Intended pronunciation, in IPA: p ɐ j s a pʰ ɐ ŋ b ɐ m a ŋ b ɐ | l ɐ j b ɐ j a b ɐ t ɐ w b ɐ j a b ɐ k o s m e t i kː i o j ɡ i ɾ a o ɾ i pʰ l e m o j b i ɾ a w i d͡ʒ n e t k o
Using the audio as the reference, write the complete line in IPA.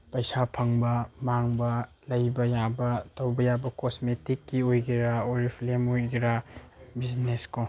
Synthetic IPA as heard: p ɐ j s a pʰ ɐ ŋ b ɐ m a ŋ b ɐ | l ɐ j b ɐ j a b ɐ t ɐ w b ɐ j a b ɐ k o s m e t i kː i o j ɡ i ɾ a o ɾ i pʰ l e m o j ɡ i ɾ a b i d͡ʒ n e s k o

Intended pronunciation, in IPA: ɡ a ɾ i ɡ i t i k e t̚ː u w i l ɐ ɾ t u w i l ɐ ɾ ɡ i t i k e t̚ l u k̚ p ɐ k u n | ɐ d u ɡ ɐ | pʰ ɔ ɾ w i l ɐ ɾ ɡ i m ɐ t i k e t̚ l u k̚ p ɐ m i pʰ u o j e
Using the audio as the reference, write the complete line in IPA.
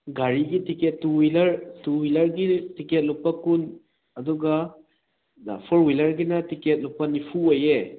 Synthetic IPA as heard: ɡ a ɾ i ɡ i t i k e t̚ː u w i l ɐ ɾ t u w i l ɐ ɾ ɡ i t i k e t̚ l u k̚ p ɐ k u n | ɐ d u ɡ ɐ | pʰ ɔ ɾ w i l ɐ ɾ ɡ i n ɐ t i k e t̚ l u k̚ p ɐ n i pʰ u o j e

